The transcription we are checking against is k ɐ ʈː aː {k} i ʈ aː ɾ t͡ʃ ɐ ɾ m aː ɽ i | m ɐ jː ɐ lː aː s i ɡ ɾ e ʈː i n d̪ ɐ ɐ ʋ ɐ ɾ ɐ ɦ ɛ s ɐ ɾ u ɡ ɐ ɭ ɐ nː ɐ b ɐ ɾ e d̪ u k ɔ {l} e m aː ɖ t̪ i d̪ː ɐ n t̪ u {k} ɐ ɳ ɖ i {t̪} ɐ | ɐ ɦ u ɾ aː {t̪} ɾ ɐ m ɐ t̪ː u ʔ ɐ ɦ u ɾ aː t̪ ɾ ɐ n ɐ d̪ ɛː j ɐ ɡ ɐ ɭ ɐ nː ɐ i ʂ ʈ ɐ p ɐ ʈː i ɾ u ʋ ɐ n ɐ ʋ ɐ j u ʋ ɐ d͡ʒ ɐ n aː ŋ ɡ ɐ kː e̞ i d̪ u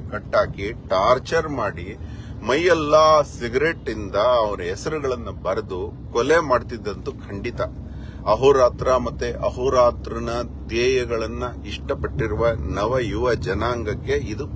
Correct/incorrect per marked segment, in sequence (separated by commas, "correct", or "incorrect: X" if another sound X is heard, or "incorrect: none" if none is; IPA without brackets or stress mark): correct, correct, incorrect: kʰ, correct, correct